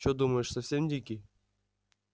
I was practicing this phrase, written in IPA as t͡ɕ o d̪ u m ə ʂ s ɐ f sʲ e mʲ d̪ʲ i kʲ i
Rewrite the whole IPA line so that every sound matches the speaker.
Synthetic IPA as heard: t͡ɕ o d̪ u m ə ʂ s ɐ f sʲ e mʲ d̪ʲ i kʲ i